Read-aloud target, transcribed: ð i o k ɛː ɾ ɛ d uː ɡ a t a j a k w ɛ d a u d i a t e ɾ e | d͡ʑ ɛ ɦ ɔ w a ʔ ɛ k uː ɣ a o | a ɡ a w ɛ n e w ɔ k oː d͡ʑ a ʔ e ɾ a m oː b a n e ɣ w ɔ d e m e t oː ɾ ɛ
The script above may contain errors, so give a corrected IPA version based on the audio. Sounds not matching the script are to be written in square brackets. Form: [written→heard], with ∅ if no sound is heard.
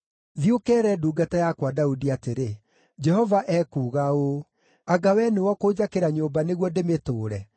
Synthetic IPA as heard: ð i o k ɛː ɾ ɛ d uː ɡ a t a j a k w [ɛ→a] d a u d i a t e ɾ e | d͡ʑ ɛ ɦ ɔ [w→v] a ʔ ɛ k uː ɣ a o | a ɡ a w ɛ n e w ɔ k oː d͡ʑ a [ʔ→k] e ɾ a [m→ɲ] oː b a n e ɣ w ɔ d e m e t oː ɾ ɛ